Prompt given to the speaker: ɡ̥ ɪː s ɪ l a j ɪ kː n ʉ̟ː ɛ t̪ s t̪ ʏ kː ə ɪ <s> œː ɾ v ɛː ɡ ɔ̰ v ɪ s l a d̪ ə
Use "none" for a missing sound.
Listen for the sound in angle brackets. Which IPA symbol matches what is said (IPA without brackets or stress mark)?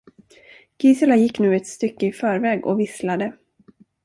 f